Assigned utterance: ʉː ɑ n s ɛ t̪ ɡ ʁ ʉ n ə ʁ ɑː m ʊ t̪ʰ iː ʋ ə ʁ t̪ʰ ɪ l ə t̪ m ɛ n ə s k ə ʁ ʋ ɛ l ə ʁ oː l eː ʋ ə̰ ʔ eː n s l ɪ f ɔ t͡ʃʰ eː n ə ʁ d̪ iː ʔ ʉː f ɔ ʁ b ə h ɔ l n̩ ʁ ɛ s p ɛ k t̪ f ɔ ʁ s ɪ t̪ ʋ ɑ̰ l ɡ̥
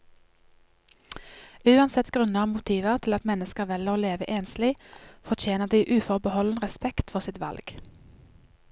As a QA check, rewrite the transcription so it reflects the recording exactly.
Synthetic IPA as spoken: ʉː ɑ n s ɛ t̪ ɡ ʁ ʉ n ə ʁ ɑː m ʊ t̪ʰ iː ʋ ə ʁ t̪ʰ ɪ l ɑ t̪ m ɛ n ə s k ə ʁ ʋ ɛ l ə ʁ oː l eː ʋ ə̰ ʔ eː n s l ɪ f ɔ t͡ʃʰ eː n ə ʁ d̪ iː ʔ ʉː f ɔ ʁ b ə h ɔ l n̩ ʁ ɛ s p ɛ k t̪ f ɔ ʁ s ɪ t̪ ʋ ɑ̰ l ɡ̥